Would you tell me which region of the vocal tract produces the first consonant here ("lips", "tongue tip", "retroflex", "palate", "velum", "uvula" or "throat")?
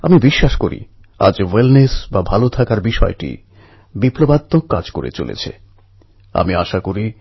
lips